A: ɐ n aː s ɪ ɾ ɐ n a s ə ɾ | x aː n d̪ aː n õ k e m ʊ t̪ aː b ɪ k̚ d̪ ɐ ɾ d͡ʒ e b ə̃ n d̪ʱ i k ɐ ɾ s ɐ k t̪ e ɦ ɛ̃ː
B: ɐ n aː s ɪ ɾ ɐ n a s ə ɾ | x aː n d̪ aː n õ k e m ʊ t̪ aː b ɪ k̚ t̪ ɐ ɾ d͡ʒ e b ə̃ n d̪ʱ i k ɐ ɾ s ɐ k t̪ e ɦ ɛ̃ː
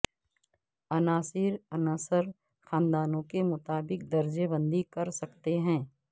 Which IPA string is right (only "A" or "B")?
A